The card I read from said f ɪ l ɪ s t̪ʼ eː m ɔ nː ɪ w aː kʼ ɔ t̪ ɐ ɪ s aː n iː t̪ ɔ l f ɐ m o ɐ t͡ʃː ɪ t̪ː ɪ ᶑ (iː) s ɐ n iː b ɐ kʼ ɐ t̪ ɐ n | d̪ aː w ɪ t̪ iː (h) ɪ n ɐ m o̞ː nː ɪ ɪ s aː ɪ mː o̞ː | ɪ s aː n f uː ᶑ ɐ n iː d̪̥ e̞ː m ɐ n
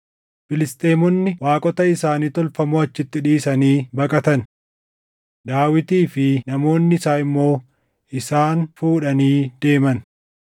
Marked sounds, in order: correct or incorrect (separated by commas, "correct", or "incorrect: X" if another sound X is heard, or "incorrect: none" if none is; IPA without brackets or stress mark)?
correct, incorrect: f